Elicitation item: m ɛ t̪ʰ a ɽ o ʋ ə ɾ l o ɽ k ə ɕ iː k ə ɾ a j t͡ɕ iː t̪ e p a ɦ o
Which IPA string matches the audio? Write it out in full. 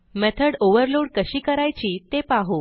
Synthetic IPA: m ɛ t̪ʰ ə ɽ o ʋ ə ɾ l o ɽ k ə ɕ iː k ə ɾ a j t͡ɕ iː t̪ e p a ɦ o